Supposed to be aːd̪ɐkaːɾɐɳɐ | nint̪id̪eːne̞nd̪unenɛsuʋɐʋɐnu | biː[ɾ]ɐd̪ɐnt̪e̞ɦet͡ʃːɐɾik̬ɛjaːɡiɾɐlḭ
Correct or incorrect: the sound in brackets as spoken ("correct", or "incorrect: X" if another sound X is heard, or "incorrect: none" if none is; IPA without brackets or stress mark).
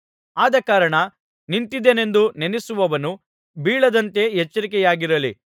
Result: incorrect: ɭ